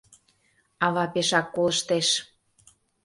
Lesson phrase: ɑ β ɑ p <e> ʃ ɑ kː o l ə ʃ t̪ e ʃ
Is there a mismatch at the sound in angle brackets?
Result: no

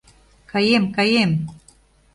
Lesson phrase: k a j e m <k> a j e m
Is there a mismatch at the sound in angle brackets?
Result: no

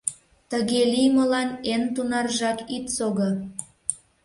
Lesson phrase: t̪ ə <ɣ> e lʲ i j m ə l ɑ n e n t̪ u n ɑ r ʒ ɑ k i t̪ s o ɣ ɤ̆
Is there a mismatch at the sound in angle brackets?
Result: no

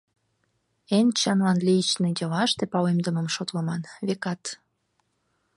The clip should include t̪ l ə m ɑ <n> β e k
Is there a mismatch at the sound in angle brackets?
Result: no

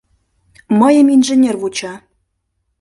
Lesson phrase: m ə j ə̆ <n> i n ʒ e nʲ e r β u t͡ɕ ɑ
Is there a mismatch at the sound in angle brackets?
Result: yes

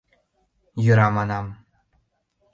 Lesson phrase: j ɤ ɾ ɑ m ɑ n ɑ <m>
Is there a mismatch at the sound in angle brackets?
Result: no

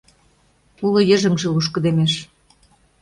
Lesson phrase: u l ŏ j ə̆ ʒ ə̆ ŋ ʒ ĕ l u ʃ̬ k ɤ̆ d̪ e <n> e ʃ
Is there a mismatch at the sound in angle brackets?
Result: yes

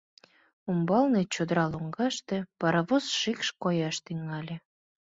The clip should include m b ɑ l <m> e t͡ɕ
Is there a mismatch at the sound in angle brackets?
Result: yes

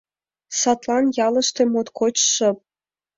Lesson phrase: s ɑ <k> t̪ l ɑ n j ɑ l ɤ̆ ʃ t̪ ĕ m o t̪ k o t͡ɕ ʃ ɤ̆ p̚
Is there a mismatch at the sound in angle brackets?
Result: yes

